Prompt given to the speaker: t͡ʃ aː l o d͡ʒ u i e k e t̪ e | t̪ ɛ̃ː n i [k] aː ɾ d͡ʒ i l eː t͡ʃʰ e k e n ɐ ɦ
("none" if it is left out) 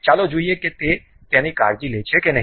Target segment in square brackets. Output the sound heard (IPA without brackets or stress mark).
k